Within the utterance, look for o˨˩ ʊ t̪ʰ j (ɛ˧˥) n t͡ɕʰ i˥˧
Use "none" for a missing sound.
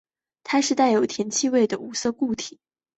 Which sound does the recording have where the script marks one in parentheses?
ɛ˧˥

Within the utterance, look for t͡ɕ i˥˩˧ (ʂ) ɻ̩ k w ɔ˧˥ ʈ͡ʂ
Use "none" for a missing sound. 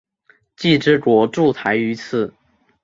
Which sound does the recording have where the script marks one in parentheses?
ʈ͡ʂ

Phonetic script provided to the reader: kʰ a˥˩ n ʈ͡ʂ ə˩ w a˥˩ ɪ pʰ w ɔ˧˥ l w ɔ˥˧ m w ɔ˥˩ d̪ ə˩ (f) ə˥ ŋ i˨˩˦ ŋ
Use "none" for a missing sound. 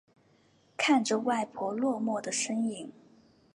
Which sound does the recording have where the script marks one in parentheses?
ʂ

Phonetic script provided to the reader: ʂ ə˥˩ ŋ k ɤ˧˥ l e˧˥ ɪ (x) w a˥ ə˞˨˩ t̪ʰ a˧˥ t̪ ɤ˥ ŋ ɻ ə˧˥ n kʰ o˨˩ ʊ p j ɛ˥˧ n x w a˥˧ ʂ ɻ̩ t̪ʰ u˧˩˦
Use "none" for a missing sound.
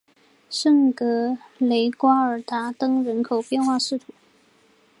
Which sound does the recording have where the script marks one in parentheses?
k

